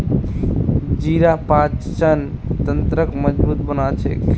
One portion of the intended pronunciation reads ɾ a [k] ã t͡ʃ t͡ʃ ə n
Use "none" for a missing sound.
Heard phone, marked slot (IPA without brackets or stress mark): p